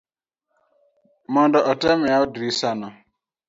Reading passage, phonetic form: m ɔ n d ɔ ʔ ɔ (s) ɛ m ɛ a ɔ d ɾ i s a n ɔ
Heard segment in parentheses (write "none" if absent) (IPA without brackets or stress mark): t